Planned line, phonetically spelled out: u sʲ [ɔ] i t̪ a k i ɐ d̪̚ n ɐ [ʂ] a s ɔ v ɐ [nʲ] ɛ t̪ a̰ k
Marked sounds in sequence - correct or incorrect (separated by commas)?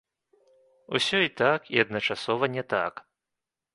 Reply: correct, incorrect, correct